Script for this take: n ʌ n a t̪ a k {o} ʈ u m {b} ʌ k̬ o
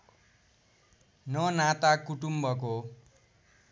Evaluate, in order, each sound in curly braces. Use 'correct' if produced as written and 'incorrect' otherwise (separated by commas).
incorrect, correct